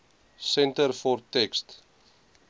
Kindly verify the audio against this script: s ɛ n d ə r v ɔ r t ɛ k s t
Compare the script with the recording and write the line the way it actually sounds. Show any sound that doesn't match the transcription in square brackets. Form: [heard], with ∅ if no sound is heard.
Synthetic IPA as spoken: s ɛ n [t] ə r [f] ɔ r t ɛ k s t